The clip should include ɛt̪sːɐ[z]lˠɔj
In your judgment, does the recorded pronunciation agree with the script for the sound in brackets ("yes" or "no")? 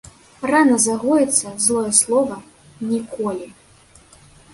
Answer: yes